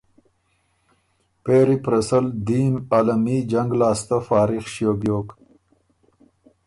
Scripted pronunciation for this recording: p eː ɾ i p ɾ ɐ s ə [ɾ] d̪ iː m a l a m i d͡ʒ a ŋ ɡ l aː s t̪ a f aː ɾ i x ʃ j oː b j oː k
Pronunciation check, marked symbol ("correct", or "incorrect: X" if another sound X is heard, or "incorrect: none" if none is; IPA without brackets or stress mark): incorrect: l